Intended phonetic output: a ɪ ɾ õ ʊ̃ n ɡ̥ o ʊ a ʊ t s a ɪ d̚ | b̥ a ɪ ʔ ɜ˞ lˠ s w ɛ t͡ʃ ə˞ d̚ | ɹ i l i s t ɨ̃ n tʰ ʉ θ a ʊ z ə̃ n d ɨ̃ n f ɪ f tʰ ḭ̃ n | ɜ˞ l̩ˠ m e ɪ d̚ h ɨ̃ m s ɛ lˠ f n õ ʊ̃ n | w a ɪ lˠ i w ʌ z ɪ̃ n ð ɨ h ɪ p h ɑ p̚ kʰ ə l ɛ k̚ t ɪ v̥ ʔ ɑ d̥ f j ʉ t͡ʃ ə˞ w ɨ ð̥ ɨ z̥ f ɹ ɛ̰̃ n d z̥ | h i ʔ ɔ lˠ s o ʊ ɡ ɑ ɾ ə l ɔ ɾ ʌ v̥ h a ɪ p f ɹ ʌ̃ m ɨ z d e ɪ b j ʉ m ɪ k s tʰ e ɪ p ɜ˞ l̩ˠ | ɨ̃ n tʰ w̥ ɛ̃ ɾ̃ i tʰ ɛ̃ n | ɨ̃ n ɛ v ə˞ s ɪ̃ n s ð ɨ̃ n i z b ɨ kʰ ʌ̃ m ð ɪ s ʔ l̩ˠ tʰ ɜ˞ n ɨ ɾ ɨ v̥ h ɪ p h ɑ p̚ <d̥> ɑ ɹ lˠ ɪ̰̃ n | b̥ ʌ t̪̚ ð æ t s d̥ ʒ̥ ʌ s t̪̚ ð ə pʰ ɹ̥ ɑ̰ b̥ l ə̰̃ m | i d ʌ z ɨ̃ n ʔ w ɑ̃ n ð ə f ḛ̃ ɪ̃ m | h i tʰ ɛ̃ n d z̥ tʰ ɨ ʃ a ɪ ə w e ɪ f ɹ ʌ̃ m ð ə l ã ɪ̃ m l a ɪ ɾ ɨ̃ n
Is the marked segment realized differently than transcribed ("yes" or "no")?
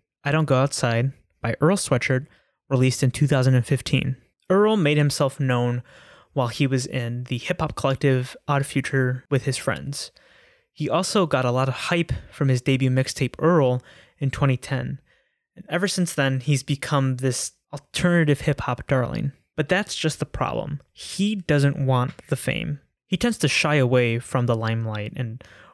no